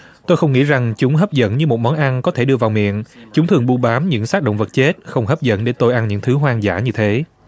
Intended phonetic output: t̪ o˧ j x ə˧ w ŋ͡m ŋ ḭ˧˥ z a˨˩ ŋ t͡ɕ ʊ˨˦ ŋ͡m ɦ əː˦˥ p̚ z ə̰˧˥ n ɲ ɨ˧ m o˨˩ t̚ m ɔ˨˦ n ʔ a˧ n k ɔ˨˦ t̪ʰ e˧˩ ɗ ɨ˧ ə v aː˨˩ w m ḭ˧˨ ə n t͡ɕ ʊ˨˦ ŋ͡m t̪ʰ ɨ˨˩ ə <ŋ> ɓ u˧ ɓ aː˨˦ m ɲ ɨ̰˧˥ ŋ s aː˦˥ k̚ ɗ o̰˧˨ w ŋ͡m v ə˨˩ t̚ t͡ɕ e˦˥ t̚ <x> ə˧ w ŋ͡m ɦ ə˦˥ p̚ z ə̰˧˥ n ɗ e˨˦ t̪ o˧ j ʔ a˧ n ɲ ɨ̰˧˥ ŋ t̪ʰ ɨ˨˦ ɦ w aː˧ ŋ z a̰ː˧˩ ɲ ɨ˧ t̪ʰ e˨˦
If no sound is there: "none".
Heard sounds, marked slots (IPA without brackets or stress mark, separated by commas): ŋ, x